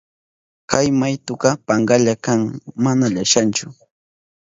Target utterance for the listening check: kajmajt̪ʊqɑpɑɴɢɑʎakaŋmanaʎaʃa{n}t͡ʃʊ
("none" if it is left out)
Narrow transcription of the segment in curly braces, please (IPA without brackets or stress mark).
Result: n